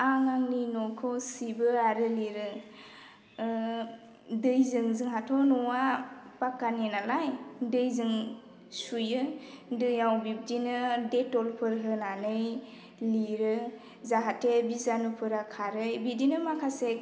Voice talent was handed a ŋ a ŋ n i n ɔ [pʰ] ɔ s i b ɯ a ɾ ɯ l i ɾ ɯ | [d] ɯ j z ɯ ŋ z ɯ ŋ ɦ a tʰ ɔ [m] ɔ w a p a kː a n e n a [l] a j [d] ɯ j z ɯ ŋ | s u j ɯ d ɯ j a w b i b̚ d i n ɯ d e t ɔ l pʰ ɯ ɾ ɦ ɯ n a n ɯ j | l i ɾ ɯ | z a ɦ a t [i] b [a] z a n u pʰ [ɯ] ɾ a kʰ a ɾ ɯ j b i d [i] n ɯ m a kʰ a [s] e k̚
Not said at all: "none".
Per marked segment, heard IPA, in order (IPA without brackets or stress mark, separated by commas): kʰ, d, n, l, d, e, i, ɯ, i, s